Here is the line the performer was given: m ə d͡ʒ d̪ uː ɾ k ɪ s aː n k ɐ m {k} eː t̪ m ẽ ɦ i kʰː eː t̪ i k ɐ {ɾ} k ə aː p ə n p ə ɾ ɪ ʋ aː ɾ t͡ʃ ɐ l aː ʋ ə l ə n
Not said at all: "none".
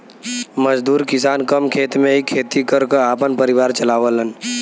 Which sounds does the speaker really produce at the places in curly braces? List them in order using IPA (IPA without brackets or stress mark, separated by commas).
kʰ, ɾ